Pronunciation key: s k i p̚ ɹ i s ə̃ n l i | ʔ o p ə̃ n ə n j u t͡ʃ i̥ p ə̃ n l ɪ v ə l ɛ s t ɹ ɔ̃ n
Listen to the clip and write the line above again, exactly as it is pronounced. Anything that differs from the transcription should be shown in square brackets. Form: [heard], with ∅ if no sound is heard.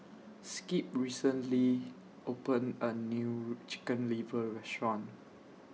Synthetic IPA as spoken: s k i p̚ ɹ i s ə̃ n l i | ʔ o p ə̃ n ə n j u t͡ʃ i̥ [k] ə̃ n l [i] v ə [ɹ] ɛ s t ɹ ɔ̃ n